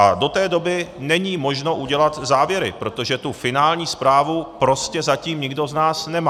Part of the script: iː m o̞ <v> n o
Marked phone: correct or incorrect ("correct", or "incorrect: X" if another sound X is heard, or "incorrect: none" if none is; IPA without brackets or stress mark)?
incorrect: ʒ